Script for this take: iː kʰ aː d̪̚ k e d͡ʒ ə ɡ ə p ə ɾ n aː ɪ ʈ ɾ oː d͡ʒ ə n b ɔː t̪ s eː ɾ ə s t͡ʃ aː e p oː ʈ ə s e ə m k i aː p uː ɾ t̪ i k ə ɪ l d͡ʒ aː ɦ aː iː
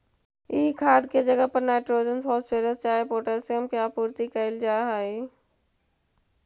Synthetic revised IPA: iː kʰ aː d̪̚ k e d͡ʒ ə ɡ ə p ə ɾ n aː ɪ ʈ ɾ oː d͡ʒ ə n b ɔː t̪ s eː ɾ ə s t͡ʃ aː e p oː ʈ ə s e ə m k j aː p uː ɾ t̪ i k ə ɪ l d͡ʒ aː ɦ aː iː

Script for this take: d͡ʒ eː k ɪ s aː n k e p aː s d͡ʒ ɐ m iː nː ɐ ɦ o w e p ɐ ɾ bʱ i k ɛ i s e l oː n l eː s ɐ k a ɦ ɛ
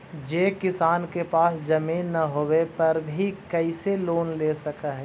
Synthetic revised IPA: d͡ʒ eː k ɪ s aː n k e p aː s d͡ʒ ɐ m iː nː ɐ ɦ o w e p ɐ ɾ bʱ i k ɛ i s e l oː n l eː s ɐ k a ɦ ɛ

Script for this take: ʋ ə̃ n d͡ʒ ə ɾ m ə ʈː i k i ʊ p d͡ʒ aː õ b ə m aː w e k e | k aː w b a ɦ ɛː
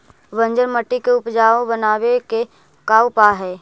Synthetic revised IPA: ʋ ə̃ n d͡ʒ ə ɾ m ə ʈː i k e ʊ p d͡ʒ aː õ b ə n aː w e k e | k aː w p a ɦ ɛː

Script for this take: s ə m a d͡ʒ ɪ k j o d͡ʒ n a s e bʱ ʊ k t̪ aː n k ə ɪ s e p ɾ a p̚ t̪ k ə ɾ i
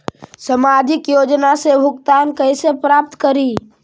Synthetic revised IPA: s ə m a d͡ʒ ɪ k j o d͡ʒ n a s e bʱ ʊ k t̪ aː n k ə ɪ s e p ɾ a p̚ t̪ k ə ɾ i

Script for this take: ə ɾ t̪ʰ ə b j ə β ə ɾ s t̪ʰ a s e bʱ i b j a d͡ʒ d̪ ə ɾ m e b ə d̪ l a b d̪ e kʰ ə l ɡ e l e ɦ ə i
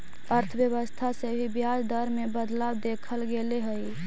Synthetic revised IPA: ə ɾ t̪ʰ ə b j ə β ə s t̪ʰ a s e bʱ i b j a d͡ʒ d̪ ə ɾ m e b ə d̪ l a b d̪ e kʰ ə l ɡ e l e ɦ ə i

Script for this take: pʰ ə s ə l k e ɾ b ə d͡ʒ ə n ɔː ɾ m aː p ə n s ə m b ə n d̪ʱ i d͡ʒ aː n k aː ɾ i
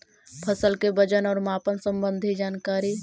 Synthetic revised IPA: pʰ ə s ə l k e b ə d͡ʒ ə n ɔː ɾ m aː p ə n s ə m b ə n d̪ʱ i d͡ʒ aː n k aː ɾ i

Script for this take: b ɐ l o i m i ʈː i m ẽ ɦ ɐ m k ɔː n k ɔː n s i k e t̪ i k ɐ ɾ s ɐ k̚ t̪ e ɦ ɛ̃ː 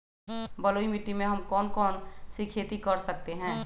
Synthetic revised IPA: b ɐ l o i m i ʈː i m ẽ ɦ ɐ m k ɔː n k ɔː n s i kʰ e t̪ i k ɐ ɾ s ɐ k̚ t̪ e ɦ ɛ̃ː

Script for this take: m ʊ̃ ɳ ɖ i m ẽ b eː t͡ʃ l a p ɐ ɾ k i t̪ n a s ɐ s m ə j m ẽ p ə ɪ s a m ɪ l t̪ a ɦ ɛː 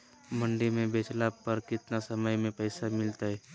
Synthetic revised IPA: m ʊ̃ ɳ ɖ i m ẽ b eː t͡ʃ l a p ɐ ɾ k ɪ t̪ n a s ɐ m ə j m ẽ p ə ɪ s a m ɪ l t̪ a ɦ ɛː

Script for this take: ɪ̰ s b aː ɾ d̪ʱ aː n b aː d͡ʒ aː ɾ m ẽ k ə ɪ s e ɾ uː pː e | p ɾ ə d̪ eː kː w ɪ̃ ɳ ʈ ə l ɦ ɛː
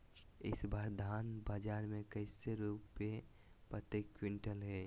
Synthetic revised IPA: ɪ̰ s b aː ɾ d̪ʱ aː n b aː d͡ʒ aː ɾ m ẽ k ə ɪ s e ɾ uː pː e | p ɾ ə t̪ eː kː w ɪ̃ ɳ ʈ ə l ɦ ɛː

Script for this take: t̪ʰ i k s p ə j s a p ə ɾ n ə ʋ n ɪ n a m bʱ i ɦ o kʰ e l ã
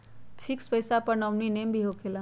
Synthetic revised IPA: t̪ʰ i k s p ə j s a p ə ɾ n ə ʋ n i n e m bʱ i ɦ o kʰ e l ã

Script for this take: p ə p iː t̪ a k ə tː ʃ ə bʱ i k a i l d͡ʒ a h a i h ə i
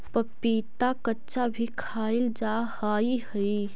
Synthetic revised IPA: p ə p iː t̪ a k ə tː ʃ a bʱ i kʰ a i l d͡ʒ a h a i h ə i

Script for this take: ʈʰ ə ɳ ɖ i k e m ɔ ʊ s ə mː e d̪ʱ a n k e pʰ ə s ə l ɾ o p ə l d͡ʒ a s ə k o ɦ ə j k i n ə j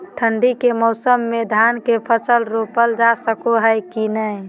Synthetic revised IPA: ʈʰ ə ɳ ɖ i k e m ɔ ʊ s ə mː e d̪ʱ a n k e pʰ ə s ə l ɾ o p ə l d͡ʒ a s ə k o ɦ ə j k i n ə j

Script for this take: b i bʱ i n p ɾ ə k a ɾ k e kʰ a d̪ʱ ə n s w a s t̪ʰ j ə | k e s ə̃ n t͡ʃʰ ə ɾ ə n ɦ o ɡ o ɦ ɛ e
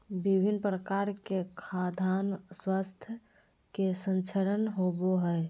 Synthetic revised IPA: b i bʱ i n p ɾ ə k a ɾ k e kʰ a d̪ʱ a n s w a s t̪ʰ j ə | k e s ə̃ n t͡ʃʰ ə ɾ ə n ɦ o b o ɦ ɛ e

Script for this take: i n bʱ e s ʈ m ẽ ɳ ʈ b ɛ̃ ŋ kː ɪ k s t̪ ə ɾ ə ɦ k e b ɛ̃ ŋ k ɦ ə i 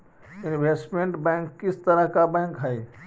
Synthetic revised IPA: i n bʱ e s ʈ m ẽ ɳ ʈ b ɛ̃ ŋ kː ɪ s t̪ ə ɾ ə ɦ k a b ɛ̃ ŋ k ɦ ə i

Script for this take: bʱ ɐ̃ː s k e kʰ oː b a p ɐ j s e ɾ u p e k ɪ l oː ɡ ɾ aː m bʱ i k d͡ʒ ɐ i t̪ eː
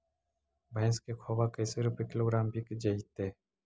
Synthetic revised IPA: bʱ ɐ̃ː s k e kʰ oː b a k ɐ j s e ɾ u p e k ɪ l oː ɡ ɾ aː m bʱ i k d͡ʒ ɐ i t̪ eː

